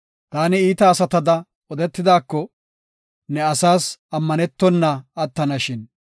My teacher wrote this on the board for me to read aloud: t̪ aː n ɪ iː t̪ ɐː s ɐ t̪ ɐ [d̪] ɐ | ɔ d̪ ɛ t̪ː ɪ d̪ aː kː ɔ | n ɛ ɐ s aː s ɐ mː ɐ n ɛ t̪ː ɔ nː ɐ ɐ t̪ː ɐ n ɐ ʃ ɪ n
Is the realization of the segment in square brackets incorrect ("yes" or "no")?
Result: no